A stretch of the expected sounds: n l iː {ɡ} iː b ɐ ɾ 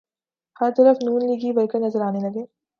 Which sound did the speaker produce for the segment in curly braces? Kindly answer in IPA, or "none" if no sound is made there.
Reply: ɡ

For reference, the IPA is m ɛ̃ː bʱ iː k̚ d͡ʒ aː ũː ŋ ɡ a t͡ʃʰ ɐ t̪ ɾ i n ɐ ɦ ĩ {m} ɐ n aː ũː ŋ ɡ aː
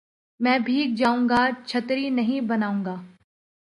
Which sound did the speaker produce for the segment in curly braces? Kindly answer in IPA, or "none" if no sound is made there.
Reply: b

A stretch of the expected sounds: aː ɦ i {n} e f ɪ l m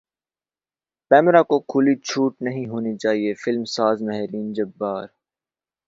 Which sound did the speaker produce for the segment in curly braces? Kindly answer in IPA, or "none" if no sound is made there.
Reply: none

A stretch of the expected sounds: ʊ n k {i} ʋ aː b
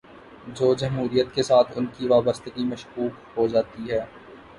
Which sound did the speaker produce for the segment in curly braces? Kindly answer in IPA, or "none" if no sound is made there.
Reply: i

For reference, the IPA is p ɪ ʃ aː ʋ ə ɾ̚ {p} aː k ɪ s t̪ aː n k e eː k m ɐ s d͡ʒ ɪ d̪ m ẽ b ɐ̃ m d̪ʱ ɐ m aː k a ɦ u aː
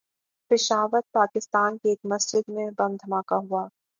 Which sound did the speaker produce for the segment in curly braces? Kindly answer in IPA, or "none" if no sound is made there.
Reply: p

